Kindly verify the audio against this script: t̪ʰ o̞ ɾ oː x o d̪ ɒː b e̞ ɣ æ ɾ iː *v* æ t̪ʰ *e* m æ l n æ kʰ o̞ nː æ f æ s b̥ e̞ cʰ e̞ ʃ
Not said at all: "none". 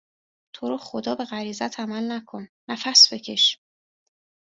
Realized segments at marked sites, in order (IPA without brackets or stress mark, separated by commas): z, æ